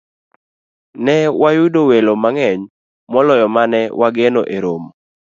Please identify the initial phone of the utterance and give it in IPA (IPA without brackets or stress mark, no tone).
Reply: n